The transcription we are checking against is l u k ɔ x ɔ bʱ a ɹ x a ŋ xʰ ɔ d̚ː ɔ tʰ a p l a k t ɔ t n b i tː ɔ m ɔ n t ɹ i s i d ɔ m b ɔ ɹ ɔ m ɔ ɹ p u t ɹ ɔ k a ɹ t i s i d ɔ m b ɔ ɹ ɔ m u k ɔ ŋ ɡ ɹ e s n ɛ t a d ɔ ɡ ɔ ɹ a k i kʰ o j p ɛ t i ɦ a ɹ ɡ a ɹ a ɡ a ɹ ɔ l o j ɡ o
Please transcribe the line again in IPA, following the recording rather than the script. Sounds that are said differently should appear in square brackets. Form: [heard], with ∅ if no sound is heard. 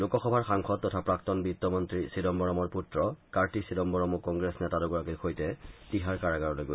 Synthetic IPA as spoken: l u k ɔ x ɔ bʱ a ɹ x a ŋ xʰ ɔ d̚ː ɔ tʰ a p [ɹ] a k t ɔ [∅] n b i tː ɔ m ɔ n t ɹ i s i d ɔ m b ɔ ɹ ɔ m ɔ ɹ p u t ɹ ɔ k a ɹ t i s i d ɔ m b ɔ ɹ ɔ m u k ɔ ŋ ɡ ɹ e s n ɛ t a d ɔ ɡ ɔ ɹ a k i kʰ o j [t] ɛ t i ɦ a ɹ [k] a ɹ a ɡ a ɹ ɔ l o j ɡ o